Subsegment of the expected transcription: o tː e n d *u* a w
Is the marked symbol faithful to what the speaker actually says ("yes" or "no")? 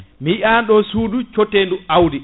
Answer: yes